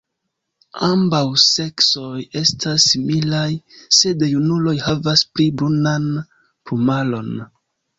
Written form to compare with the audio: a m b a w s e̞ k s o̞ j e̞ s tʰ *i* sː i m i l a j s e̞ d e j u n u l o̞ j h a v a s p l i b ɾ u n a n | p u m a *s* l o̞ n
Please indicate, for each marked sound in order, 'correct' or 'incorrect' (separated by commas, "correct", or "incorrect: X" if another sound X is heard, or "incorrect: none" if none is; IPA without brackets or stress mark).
incorrect: a, incorrect: none